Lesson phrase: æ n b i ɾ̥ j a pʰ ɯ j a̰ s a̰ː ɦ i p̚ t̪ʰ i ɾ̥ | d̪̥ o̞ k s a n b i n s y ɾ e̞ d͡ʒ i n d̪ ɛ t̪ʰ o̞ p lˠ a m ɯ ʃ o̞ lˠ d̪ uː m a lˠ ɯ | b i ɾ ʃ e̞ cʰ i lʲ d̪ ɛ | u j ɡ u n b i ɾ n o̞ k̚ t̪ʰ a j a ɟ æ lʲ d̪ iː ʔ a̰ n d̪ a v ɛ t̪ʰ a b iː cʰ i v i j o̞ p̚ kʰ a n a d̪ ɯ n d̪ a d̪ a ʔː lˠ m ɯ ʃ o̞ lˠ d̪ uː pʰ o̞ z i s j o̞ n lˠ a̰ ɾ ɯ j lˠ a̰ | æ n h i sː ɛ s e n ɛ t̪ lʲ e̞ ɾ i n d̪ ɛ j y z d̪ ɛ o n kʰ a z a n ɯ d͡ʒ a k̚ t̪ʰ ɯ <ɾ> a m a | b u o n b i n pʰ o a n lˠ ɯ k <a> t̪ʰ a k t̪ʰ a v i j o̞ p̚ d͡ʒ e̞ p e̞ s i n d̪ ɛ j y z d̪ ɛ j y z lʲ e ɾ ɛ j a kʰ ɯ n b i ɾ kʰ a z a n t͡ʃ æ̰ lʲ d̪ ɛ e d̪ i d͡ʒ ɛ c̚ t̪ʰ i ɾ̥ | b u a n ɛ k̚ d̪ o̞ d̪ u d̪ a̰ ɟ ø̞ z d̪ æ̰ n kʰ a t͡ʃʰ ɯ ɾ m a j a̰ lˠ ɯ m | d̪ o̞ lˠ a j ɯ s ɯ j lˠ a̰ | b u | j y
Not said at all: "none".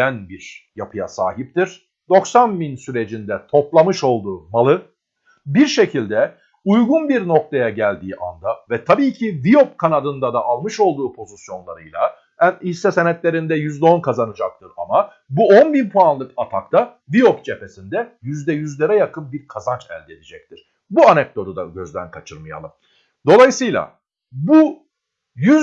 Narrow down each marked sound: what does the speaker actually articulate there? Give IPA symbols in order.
ɾ, a

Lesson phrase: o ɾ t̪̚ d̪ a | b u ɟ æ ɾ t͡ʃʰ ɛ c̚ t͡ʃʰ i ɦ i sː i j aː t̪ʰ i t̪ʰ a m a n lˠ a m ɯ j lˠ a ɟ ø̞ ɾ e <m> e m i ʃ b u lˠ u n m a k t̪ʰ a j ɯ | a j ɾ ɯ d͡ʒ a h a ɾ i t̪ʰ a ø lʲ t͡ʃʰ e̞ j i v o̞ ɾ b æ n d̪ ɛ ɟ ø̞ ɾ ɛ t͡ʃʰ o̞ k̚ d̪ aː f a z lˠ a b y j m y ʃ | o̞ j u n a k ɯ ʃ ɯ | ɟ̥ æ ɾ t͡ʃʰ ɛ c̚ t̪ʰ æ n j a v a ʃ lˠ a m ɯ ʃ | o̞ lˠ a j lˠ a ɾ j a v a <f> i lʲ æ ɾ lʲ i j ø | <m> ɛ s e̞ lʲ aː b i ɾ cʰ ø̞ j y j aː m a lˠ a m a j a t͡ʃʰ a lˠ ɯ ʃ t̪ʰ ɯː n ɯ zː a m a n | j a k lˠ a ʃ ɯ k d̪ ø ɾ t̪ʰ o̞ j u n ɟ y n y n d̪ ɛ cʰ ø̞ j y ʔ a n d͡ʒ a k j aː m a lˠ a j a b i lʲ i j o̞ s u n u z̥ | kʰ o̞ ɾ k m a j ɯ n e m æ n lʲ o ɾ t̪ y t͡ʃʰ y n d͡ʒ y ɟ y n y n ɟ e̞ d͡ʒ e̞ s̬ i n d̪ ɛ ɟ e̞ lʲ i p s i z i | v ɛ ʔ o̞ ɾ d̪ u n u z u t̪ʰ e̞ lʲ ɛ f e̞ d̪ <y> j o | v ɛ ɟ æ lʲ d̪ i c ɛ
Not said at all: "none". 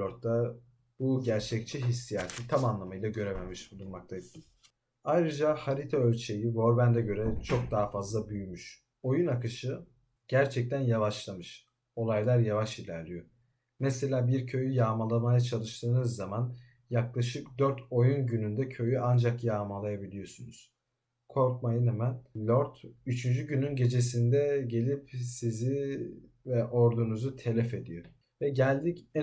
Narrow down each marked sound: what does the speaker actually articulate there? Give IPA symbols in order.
m, ʃ, m, i

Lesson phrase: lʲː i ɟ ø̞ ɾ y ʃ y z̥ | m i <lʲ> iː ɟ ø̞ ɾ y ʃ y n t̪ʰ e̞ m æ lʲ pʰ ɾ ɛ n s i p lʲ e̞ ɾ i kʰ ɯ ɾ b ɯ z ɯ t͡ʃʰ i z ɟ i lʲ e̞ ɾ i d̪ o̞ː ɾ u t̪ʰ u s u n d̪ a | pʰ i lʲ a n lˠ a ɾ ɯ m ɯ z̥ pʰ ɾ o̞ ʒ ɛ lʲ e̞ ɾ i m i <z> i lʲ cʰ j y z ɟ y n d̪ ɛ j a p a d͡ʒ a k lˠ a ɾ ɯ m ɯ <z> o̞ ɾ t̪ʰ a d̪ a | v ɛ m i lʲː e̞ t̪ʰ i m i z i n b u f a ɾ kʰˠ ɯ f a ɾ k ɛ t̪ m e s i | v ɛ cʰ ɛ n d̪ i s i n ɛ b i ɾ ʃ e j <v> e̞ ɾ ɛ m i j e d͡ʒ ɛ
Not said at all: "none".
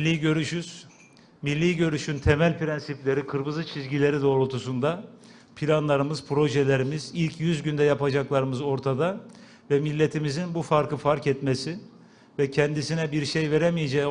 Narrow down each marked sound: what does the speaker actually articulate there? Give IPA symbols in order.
lʲː, z, z, v

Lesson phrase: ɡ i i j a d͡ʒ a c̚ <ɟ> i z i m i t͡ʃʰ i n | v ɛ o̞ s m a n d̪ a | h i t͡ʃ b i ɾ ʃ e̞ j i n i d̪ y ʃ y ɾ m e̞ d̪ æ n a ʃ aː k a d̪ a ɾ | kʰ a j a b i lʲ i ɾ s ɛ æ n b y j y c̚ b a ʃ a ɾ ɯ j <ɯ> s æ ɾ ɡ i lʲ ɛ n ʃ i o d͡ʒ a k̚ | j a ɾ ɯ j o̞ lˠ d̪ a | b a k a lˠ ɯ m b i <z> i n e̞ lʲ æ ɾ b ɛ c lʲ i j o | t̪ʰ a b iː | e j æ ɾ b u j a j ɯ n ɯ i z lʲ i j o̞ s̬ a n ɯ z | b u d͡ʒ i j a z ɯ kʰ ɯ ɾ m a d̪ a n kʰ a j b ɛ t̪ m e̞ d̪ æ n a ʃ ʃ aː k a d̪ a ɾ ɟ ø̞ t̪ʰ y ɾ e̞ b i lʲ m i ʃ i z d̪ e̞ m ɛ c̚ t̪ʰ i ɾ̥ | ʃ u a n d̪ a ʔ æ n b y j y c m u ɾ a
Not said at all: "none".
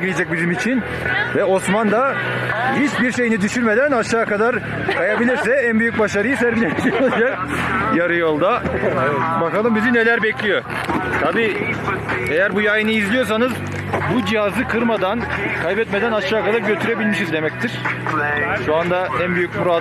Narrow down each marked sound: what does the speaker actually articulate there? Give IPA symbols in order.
b, ɯ, z

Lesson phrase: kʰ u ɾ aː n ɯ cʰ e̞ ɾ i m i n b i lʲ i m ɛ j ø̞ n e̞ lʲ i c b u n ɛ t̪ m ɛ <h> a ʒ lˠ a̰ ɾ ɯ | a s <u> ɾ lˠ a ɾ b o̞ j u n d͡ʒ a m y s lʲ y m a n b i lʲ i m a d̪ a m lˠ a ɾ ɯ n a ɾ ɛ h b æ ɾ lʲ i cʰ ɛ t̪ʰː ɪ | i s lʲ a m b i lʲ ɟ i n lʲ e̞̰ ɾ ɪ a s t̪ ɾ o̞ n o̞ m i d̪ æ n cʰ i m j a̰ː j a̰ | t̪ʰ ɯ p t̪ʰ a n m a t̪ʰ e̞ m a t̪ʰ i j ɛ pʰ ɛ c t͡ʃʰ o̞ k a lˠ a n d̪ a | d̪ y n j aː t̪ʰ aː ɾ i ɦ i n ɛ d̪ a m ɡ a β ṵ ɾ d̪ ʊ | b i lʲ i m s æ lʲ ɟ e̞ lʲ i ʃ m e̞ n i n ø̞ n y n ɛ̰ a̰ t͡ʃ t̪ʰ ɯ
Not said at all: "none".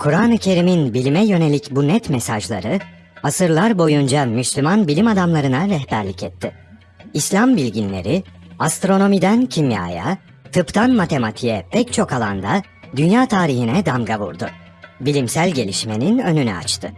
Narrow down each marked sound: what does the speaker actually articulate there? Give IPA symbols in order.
s, ɯ

